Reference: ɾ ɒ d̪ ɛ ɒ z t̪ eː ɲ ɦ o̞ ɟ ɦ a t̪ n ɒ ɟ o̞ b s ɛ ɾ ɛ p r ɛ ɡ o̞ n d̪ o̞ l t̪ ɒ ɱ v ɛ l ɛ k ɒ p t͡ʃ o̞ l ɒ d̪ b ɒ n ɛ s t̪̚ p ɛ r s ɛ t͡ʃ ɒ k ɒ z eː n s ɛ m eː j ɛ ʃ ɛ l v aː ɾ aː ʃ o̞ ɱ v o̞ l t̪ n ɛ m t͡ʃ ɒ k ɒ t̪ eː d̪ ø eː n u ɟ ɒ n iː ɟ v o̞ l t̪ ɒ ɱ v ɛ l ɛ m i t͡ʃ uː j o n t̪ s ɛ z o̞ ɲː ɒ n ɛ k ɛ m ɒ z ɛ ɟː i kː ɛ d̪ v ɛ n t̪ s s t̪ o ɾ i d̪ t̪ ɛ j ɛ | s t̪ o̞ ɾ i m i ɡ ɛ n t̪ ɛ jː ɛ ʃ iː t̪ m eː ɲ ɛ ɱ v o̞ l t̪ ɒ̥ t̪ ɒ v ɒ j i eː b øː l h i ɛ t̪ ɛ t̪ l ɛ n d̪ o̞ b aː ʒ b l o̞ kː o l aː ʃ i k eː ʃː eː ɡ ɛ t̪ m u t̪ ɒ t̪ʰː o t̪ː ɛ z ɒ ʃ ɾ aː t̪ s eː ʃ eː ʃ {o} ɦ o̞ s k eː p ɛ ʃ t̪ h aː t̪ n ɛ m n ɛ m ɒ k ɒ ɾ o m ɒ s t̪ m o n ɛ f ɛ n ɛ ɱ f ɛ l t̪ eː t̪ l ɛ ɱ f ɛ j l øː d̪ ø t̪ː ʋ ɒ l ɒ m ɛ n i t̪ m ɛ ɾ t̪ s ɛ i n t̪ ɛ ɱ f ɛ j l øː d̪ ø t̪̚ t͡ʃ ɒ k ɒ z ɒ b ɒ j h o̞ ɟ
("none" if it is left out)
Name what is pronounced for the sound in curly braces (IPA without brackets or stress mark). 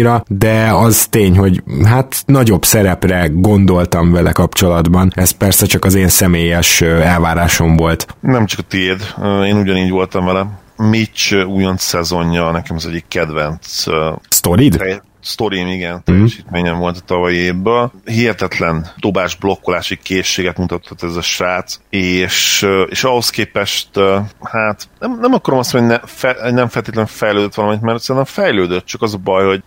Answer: ɒ